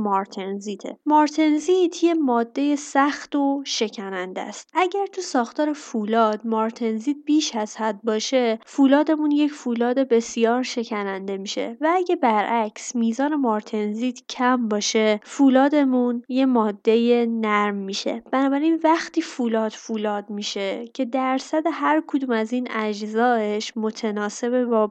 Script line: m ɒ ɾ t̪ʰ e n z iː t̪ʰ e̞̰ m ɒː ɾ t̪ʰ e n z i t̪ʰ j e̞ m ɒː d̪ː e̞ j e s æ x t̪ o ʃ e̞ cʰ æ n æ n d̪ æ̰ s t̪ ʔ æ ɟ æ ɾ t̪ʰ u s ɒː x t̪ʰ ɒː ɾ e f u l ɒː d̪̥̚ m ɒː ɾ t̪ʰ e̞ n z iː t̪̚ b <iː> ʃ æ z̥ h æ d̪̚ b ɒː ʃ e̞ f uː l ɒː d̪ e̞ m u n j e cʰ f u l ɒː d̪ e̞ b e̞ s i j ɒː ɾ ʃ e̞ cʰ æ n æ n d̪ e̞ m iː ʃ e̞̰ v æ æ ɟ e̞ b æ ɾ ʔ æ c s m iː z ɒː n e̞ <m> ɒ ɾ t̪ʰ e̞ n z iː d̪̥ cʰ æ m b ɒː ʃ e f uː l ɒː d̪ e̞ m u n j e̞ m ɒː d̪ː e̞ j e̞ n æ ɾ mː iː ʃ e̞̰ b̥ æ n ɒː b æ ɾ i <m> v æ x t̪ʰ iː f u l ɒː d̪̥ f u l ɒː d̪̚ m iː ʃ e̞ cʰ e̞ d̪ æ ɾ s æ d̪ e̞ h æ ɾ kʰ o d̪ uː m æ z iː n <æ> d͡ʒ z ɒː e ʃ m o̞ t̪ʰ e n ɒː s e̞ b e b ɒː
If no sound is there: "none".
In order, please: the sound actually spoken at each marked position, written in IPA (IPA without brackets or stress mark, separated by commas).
iː, m, n, æ